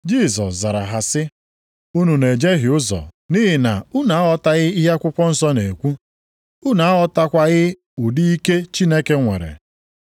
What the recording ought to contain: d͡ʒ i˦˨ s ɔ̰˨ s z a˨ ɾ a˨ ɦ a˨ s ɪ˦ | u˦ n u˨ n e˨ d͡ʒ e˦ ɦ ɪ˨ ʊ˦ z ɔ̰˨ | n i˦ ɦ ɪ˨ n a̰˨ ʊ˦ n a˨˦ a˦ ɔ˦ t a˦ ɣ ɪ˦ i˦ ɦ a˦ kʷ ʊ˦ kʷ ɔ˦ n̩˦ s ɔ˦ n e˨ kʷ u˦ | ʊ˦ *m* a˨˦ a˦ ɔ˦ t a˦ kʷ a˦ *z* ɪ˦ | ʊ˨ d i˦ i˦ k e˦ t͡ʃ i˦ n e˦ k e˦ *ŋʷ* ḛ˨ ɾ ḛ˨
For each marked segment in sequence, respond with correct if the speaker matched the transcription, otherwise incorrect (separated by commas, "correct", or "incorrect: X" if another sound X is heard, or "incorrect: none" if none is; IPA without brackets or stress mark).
incorrect: n, incorrect: ɣ, correct